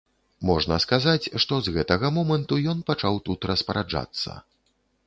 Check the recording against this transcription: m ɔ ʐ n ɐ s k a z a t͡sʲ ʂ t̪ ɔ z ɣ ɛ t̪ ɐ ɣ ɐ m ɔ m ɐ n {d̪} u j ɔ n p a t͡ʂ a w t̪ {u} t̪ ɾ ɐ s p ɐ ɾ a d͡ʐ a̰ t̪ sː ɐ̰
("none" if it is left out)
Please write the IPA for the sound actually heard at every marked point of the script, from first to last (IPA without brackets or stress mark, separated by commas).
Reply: t̪, u